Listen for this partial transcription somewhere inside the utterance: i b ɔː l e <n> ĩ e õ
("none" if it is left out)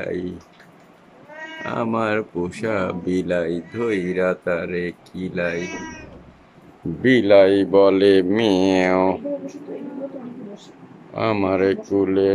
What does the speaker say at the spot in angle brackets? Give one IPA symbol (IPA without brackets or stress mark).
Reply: m